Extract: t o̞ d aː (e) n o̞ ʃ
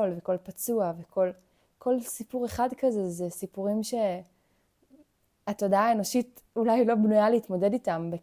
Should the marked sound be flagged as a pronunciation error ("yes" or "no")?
no